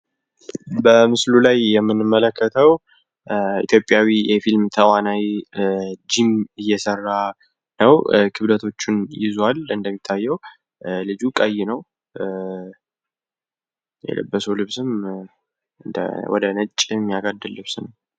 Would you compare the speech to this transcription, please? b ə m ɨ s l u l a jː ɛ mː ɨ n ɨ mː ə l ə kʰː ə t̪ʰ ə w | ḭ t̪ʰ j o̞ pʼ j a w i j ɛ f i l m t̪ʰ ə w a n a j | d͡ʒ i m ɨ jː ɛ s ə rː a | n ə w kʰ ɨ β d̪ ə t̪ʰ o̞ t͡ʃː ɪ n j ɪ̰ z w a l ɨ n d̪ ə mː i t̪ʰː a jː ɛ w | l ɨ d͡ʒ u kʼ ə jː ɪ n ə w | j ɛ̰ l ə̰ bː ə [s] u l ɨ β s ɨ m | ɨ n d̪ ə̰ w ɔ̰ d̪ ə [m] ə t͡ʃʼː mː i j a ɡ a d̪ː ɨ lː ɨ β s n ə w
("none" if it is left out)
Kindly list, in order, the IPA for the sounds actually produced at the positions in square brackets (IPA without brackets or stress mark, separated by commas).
s, n